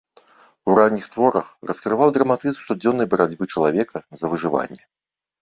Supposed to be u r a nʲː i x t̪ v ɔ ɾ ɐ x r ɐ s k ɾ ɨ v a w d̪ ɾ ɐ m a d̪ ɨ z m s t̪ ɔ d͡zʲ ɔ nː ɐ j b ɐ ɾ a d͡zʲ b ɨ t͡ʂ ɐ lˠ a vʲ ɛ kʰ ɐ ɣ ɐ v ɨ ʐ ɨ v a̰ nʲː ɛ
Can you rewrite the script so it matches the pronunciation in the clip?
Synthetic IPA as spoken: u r a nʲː i x t̪ v ɔ ɾ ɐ x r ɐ s k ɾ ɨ v a w d̪ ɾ ɐ m a t̪ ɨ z m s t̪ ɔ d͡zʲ ɔ nː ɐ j b ɐ ɾ a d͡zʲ b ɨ t͡ʂ ɐ lˠ a vʲ ɛ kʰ ɐ z ɐ v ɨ ʐ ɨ v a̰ nʲː ɛ